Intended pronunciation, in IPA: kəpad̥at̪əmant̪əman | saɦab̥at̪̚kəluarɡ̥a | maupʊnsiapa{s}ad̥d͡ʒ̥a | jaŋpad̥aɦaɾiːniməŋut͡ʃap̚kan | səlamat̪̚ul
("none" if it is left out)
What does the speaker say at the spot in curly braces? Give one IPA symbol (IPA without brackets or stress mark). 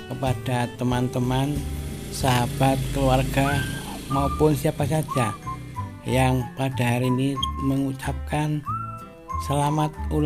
s